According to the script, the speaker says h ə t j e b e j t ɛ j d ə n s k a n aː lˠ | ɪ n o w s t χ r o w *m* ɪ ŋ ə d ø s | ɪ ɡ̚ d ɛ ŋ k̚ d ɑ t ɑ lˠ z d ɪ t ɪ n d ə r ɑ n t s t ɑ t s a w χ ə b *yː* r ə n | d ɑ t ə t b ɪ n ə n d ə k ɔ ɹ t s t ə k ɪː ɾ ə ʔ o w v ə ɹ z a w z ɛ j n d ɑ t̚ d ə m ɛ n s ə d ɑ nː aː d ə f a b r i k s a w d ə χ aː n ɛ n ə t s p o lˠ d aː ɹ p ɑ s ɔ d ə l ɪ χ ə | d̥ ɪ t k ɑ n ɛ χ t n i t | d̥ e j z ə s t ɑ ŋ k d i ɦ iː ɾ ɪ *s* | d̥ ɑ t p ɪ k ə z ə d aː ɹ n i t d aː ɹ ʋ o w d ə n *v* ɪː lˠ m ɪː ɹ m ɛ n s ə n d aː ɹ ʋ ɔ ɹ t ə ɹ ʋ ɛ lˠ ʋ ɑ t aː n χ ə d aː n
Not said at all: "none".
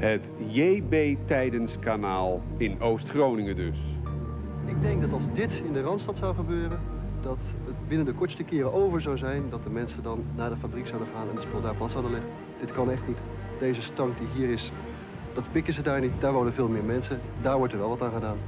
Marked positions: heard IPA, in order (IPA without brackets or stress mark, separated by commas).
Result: n, øː, s, v